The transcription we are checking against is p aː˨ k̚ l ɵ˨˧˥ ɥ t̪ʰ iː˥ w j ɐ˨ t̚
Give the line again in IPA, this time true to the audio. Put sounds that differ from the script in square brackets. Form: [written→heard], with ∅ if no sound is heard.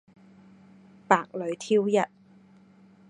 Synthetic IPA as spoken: p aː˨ k̚ l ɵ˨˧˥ ɥ t̪ʰ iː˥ w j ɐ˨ t̚